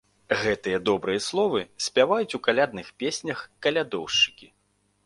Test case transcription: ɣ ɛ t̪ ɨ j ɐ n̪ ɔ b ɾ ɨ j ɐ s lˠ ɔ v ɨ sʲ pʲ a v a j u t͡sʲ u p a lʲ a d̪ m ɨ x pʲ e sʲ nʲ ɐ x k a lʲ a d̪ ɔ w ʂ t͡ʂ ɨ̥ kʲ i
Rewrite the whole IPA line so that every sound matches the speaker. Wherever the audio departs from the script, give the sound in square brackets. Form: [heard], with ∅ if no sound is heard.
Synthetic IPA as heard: ɣ ɛ t̪ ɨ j ɐ [d̪] ɔ b ɾ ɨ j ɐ s lˠ ɔ v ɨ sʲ pʲ a v a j u t͡sʲ u [k] a lʲ a d̪ [n] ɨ x pʲ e sʲ nʲ ɐ x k [ɐ] lʲ a d̪ ɔ w ʂ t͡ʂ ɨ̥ kʲ i